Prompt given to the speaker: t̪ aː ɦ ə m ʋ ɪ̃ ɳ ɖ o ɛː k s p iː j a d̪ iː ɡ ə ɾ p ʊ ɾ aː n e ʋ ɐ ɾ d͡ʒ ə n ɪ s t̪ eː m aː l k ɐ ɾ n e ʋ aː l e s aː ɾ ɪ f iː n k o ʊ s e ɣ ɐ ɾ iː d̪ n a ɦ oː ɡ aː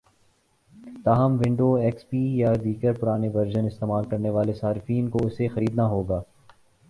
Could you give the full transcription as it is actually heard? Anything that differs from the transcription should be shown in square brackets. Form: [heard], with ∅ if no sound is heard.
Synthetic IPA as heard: t̪ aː ɦ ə m ʋ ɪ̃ ɳ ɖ o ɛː k s p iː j a d̪ iː ɡ ə ɾ p ʊ ɾ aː n e ʋ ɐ ɾ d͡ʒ ə n ɪ s t̪ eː m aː l k ɐ ɾ n e ʋ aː l e s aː ɾ ɪ f iː n k o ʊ s e [x] ɐ ɾ iː d̪ n a ɦ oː ɡ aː

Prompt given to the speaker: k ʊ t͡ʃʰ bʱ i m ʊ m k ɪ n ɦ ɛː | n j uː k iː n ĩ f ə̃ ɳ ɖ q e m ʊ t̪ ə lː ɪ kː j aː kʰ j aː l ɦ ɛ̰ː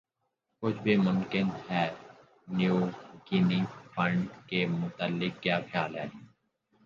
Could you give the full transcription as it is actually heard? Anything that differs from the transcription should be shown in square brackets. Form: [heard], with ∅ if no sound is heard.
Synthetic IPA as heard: k ʊ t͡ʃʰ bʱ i m ʊ m k ɪ n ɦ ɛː | n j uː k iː n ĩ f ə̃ ɳ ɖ [k] e m ʊ t̪ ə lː ɪ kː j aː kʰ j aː l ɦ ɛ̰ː

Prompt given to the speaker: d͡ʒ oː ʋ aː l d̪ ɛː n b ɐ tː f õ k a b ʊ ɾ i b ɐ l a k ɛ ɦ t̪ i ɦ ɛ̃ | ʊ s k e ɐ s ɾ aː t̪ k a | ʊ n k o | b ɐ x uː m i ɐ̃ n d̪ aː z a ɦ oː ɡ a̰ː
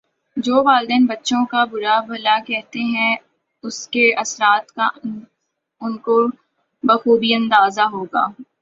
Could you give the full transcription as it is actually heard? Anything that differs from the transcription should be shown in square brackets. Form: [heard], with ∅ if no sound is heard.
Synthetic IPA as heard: d͡ʒ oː ʋ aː l d̪ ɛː n b ɐ tː [ʃ] õ k a b ʊ ɾ [a] b ɐ l a k ɛ ɦ t̪ [e] ɦ ɛ̃ | ʊ s k e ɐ s ɾ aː t̪ k a | ʊ n k o | b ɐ x uː [b] i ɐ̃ n d̪ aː z a ɦ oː ɡ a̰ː

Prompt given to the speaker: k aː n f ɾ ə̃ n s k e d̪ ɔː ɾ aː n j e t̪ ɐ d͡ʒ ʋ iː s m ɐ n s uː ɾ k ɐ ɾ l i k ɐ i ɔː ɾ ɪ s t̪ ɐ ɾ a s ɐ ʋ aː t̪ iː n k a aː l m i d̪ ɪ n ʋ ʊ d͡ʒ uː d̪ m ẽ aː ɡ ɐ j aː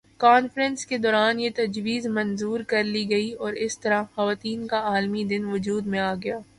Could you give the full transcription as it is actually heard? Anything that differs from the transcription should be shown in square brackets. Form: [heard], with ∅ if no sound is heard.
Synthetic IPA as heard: k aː n f ɾ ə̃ n s k e d̪ ɔː ɾ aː n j e t̪ ɐ d͡ʒ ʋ iː [z] m ɐ n [z] uː ɾ k ɐ ɾ l i [ɡ] ɐ i ɔː ɾ ɪ s t̪ ɐ ɾ a [x] ɐ ʋ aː t̪ iː n k a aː l m i d̪ ɪ n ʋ ʊ d͡ʒ uː d̪ m ẽ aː ɡ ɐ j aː

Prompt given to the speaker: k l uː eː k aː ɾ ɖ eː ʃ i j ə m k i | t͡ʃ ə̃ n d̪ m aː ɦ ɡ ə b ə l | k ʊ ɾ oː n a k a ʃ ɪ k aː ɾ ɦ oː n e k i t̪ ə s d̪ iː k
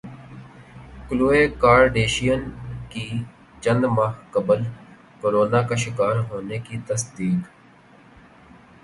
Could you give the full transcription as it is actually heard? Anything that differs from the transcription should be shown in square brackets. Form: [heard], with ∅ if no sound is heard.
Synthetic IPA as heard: k l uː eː k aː ɾ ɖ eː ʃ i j ə [n] k i | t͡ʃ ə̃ n d̪ m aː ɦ [k] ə b ə l | k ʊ ɾ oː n a k a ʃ ɪ k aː ɾ ɦ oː n e k i t̪ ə s d̪ iː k

